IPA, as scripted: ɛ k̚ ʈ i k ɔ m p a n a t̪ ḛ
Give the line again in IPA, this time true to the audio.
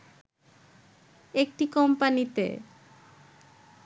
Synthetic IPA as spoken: e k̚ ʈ i k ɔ m p a n i t̪ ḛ

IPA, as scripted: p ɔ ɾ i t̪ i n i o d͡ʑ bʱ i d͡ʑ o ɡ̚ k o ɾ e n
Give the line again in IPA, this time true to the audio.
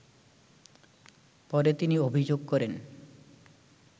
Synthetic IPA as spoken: p ɔ ɾ e t̪ i n i o bʱ i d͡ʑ o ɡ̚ k ɔ ɾ e n

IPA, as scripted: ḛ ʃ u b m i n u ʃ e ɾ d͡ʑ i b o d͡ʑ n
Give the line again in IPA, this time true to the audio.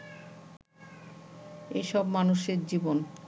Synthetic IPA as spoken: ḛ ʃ ɔ b m a n u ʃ e ɾ d͡ʑ i b o n

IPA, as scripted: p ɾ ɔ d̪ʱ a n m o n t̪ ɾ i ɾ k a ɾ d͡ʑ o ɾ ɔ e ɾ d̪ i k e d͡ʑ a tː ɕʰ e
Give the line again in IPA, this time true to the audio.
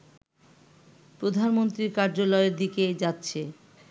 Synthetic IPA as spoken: p ɾ o d̪ʱ a n m o n t̪ ɾ i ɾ k a ɾ d͡ʑ o l ɔ e ɾ d̪ i k e d͡ʑ a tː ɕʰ e

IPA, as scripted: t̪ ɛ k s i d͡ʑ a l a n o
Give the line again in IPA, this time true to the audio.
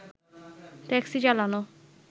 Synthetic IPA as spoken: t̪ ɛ k s i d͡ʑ a l a n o

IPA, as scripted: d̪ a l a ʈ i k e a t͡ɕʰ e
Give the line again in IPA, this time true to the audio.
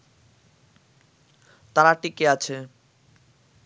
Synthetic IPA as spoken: t̪ a ɾ a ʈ i k e a t͡ɕʰ e

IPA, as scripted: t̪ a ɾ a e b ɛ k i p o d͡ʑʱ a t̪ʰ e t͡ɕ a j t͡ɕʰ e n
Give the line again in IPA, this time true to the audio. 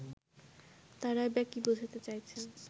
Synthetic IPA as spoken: t̪ a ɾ a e b ɛ k i b o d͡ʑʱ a t̪ e t͡ɕ a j t͡ɕʰ e n

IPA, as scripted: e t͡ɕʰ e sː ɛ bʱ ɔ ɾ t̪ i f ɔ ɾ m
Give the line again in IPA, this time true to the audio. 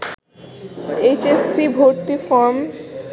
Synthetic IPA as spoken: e t͡ɕ e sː i bʱ o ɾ t̪ i f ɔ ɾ m

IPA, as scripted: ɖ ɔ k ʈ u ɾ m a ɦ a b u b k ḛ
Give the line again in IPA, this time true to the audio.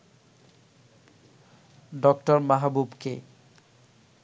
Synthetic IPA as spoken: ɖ ɔ k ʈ ɔ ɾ m a ɦ a b u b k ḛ

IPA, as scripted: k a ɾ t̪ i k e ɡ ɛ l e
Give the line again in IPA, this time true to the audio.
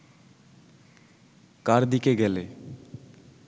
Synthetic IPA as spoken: k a ɾ d̪ i k e ɡ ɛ l e

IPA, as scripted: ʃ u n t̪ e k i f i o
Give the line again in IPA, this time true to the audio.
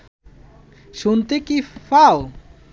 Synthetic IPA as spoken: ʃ u n t̪ e k i f a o

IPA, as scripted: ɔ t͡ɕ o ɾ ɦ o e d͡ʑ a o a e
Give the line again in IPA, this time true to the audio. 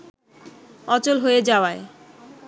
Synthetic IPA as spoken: ɔ t͡ɕ o l ɦ o e d͡ʑ a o a e

